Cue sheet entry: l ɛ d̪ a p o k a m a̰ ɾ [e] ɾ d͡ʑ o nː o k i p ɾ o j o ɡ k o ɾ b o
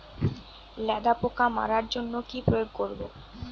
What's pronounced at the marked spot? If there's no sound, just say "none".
a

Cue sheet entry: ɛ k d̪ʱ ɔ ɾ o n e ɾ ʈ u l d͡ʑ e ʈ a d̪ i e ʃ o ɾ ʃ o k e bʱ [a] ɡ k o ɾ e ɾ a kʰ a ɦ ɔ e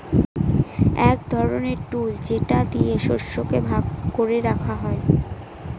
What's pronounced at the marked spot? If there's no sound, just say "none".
a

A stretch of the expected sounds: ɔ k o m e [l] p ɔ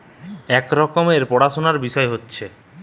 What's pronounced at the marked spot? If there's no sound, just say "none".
ɾ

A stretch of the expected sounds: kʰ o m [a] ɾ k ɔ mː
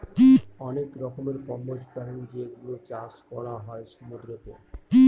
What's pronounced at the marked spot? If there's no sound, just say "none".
e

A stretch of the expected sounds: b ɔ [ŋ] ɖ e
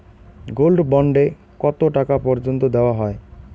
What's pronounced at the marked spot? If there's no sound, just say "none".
ɳ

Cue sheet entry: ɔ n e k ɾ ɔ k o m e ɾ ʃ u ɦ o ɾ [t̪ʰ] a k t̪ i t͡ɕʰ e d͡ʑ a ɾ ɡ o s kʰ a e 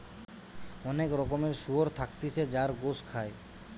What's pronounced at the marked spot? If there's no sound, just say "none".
t̪ʰ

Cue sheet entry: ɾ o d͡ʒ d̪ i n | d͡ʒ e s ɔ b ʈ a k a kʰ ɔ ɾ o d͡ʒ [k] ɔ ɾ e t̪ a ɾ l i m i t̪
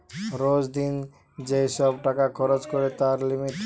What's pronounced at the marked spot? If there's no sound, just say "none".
k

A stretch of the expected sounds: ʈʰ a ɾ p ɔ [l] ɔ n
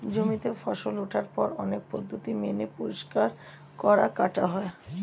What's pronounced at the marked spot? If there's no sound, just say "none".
ɾ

